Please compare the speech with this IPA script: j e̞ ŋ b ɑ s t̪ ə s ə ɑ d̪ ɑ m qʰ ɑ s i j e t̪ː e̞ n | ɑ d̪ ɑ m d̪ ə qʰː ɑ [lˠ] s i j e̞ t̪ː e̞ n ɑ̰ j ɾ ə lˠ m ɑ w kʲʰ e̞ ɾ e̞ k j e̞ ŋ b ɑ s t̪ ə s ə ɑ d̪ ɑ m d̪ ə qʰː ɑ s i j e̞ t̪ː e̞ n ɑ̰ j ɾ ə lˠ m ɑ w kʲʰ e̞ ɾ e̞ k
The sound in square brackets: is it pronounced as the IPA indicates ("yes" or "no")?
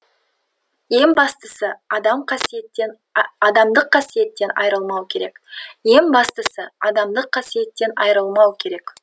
no